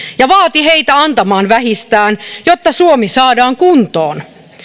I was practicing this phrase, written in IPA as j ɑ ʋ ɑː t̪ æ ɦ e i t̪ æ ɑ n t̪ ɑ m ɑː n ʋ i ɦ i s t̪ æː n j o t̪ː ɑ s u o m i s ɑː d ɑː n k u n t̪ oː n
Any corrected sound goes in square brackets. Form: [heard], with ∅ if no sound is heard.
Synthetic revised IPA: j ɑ ʋ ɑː t̪ [i] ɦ e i t̪ æ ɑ n t̪ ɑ m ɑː n ʋ [æ] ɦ i s t̪ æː n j o t̪ː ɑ s u o m i s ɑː d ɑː [ŋ] k u n t̪ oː n